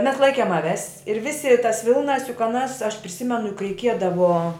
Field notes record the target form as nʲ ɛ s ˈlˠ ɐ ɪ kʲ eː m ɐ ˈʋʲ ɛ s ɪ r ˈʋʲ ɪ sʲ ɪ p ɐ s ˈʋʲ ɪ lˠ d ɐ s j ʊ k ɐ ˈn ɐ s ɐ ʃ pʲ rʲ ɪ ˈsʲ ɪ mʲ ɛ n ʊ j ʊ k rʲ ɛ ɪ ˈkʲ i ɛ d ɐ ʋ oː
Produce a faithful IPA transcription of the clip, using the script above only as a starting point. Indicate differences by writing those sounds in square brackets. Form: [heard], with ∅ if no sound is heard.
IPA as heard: [mʲ] ɛ s ˈlˠ ɐ ɪ kʲ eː m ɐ ˈʋʲ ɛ s ɪ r ˈʋʲ ɪ sʲ ɪ [t] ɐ s ˈʋʲ ɪ lˠ [n] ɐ s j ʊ k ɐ ˈn ɐ s ɐ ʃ pʲ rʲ ɪ ˈsʲ ɪ mʲ ɛ n ʊ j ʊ k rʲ ɛ ɪ ˈkʲ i ɛ d ɐ ʋ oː